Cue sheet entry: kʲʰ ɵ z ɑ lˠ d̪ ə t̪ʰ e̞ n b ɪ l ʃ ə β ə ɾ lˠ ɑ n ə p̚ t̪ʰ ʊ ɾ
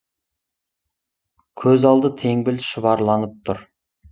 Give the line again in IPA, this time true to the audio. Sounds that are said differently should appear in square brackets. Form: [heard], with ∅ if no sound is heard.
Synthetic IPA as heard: kʲʰ ɵ z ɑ lˠ d̪ ə t̪ʰ e̞ [ŋ] b ɪ l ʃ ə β [ɑ] ɾ lˠ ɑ n ə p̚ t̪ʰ ʊ ɾ